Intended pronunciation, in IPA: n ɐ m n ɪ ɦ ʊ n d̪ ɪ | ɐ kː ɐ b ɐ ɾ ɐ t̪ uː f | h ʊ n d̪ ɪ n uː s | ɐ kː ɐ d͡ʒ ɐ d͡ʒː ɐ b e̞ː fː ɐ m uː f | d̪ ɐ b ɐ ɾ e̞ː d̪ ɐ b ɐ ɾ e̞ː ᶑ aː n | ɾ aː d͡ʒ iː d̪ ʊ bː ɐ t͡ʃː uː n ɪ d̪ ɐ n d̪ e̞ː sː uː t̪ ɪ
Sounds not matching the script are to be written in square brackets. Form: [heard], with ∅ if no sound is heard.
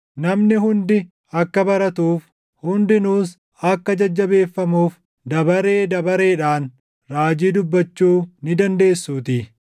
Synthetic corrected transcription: n ɐ m n ɪ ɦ ʊ n d̪ ɪ | ɐ kː ɐ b ɐ ɾ ɐ t̪ uː f | h ʊ n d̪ ɪ n uː s | ɐ kː ɐ d͡ʒ ɐ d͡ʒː ɐ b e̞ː fː ɐ m uː f | d̪ ɐ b ɐ ɾ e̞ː d̪ ɐ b ɐ ɾ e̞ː ᶑ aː n | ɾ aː d͡ʒ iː d̪ ʊ bː ɐ t͡ʃː uː n ɪ d̪ ɐ n d̪ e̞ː sː uː t̪ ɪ